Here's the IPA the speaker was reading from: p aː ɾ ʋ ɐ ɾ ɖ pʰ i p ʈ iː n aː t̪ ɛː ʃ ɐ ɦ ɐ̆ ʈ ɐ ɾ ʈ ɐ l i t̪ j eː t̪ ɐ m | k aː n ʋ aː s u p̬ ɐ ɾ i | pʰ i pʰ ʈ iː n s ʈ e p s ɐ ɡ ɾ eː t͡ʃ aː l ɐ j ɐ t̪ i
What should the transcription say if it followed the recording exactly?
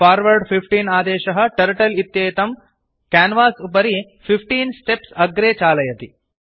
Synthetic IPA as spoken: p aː ɾ ʋ ɐ ɾ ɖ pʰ i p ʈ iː n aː d̪ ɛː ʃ ɐ ɦ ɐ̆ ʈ ɐ ɾ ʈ ɐ l i t̪ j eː t̪ ɐ m | k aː n ʋ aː s u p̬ ɐ ɾ i | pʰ i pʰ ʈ iː n s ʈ e p s ɐ ɡ ɾ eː t͡ʃ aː l ɐ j ɐ t̪ i

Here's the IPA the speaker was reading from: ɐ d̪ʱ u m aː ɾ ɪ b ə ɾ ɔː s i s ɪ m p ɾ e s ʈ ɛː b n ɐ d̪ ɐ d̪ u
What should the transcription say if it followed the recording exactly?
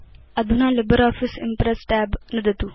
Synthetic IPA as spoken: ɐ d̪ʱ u n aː l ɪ b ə ɾ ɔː f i s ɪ m p ɾ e s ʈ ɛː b n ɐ d̪ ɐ t̪ u

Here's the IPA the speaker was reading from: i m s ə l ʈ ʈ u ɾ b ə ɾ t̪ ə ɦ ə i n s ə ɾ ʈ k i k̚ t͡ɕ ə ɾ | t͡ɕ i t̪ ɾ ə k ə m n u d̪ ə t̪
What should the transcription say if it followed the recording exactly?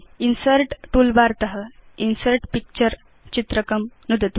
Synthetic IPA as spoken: i n s ə ɾ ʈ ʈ u l b a ɾ t̪ ə ɦ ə i n s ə ɾ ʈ p i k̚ t͡ɕ ə ɾ | t͡ɕ i t̪ ɾ ə k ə m n u d̪ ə t̪

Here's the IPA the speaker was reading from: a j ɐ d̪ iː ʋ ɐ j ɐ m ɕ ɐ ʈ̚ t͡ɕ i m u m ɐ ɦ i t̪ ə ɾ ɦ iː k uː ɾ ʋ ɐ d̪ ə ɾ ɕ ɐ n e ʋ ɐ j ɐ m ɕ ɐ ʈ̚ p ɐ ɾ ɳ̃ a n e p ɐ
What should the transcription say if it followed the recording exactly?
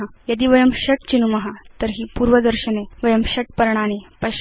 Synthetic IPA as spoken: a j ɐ d̪ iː ʋ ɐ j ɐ m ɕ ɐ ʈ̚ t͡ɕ i n u m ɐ ɦ a t̪ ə ɾ ɦ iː p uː ɾ ʋ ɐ d̪ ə ɾ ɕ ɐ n e ʋ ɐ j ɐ m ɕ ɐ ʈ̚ p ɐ ɾ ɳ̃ a n e p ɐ

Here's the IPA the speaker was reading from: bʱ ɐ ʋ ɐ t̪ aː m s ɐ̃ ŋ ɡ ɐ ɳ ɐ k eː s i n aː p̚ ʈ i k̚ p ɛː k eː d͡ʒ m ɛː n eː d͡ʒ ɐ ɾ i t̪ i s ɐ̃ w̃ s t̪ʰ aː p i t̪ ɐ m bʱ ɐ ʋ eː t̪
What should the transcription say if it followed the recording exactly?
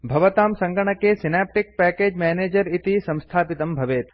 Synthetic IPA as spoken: bʱ ɐ ʋ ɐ t̪ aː m s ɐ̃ ŋ ɡ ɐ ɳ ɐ k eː s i n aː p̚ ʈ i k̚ p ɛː k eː d͡ʒ m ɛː n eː d͡ʒ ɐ ɾ i t̪ i s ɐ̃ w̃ s t̪ʰ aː p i t̪ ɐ m bʱ ɐ ʋ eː t̪

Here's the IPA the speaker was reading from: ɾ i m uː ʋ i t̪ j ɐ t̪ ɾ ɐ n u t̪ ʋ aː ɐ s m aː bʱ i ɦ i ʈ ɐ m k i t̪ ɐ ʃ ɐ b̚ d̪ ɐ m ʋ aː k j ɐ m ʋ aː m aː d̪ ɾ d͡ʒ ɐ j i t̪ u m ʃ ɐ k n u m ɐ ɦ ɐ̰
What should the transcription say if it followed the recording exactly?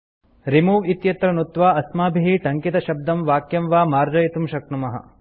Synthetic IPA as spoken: ɾ i m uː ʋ i t̪ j ɐ t̪ ɾ ɐ n u t̪ ʋ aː ɐ s m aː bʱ i ɦ i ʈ ɐ ŋ k i t̪ ɐ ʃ ɐ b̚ d̪ ɐ m ʋ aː k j ɐ m ʋ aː m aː ɾ d͡ʒ ɐ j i t̪ u m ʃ ɐ k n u m ɐ ɦ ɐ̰

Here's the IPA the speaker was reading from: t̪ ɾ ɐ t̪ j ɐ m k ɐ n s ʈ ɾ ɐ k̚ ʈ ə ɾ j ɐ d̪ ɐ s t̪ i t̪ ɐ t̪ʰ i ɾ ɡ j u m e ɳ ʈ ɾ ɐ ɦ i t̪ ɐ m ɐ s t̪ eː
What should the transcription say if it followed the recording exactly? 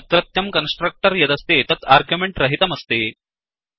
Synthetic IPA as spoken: t̪ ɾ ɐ t̪ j ɐ m k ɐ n s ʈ ɾ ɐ k̚ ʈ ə ɾ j ɐ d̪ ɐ s t̪ e t̪ ɐ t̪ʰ a ɾ ɡ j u m e ɳ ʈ ɾ ɐ ɦ i t̪ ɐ m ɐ s t̪ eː

